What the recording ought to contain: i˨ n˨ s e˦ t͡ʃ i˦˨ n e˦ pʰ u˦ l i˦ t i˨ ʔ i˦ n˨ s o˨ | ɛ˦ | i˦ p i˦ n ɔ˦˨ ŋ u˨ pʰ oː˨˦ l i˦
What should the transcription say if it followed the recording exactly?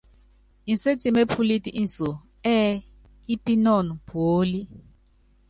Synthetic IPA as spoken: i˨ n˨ s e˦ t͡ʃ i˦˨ m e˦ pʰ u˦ l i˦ t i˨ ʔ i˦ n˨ s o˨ | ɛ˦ | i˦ p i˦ n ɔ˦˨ n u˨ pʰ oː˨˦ l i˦